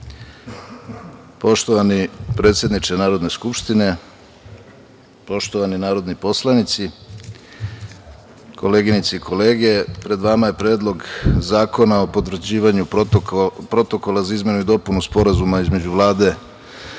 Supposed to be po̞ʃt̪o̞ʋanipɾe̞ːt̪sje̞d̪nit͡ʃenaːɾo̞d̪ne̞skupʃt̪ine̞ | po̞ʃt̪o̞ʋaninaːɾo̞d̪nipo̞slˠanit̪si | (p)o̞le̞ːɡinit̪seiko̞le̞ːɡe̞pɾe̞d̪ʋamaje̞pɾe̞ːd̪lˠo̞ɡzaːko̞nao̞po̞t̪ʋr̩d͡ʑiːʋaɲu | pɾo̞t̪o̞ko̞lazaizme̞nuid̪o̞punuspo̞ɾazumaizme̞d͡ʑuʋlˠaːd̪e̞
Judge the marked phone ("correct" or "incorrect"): incorrect